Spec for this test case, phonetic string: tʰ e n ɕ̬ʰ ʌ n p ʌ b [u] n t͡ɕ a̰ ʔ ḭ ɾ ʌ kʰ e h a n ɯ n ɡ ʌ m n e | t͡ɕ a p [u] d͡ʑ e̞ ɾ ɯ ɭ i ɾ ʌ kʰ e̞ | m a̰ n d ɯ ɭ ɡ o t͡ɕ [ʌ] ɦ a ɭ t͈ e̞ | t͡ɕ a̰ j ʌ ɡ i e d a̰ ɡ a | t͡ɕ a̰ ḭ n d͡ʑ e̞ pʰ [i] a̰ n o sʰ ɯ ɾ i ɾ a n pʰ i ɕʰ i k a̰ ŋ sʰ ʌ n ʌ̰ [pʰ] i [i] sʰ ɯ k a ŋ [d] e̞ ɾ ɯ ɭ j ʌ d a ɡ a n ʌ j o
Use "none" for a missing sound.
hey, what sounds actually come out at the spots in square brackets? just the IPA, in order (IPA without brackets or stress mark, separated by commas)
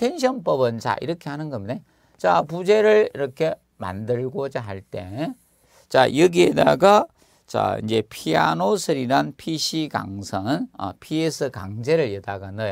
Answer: ɯ, u, a, i, pʰ, e, d͡ʑ